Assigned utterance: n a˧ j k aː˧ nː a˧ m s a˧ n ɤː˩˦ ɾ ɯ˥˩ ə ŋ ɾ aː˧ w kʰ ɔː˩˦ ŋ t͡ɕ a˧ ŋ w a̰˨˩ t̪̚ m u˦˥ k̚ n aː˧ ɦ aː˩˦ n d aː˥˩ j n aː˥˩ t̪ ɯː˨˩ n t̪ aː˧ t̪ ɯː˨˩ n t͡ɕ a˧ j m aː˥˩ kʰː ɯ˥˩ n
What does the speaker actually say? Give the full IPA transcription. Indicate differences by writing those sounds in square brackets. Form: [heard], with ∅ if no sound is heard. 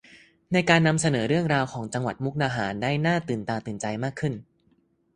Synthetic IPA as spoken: n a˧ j k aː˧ nː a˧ m s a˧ n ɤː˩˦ ɾ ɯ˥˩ ə ŋ ɾ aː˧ w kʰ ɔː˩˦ ŋ t͡ɕ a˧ ŋ w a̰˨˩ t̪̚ m u˦˥ k̚ n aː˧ ɦ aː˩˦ n d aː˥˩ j n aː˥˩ t̪ ɯː˨˩ n t̪ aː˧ t̪ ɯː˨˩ n t͡ɕ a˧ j m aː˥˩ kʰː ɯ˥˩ n